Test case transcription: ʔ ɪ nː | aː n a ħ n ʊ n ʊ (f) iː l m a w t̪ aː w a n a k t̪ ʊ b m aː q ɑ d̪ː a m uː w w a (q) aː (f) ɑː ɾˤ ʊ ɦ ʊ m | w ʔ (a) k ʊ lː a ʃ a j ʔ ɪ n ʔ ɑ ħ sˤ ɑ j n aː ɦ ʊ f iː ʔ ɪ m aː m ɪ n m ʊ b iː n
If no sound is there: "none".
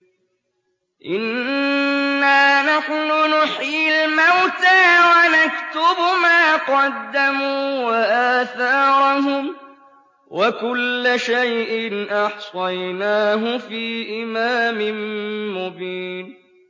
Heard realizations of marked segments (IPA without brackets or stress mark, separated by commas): ħ, ʔ, θ, a